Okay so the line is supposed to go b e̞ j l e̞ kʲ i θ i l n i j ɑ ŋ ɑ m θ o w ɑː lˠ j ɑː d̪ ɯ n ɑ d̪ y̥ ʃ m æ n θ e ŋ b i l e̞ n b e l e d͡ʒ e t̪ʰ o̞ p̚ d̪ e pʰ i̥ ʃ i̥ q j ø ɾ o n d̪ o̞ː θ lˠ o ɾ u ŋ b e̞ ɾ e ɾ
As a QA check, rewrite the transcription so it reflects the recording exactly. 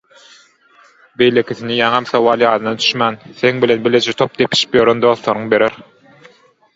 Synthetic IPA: b e̞ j l e̞ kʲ i θ i n i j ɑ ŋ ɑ m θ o w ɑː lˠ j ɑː d̪ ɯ n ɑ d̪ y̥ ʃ m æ n θ e ŋ b i l e̞ n b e l e d͡ʒ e t̪ʰ o̞ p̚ d̪ e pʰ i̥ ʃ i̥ p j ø ɾ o n d̪ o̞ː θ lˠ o ɾ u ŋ b e̞ ɾ e ɾ